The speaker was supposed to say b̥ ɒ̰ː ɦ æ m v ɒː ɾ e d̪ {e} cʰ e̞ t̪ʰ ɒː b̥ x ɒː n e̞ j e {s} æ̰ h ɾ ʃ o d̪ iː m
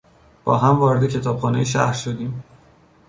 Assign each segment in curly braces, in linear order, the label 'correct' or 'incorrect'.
correct, incorrect

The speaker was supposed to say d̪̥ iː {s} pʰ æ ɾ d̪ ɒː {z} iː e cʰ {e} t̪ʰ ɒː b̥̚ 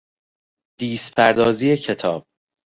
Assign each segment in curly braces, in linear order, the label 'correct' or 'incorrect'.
correct, correct, correct

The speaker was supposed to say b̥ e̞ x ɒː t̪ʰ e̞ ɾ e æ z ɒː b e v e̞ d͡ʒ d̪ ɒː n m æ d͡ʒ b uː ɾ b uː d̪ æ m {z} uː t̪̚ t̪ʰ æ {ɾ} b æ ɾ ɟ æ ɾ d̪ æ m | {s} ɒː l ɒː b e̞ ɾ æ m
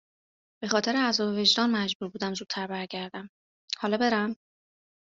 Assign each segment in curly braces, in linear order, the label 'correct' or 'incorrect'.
correct, correct, incorrect

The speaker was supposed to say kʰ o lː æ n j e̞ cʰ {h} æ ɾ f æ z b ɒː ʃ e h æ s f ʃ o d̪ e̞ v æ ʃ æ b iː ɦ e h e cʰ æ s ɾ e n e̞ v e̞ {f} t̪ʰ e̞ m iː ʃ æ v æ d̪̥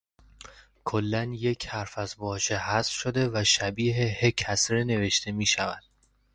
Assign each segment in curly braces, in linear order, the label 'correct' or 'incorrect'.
correct, incorrect

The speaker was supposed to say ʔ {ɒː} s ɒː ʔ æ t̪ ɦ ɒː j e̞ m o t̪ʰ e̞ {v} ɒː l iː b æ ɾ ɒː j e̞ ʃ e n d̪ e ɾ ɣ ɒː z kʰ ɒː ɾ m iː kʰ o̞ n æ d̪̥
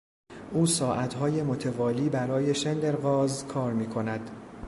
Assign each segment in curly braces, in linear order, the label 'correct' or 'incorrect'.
incorrect, correct

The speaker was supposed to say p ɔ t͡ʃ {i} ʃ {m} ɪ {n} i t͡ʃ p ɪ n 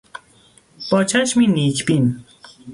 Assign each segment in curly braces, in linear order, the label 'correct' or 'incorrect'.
incorrect, correct, correct

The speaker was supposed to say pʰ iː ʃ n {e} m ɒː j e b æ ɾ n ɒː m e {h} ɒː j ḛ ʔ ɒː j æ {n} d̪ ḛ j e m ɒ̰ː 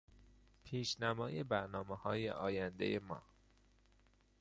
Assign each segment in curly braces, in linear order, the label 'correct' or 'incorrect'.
incorrect, correct, correct

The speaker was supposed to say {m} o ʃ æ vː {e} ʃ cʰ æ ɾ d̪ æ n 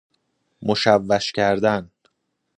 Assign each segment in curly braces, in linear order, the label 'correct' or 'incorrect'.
correct, incorrect

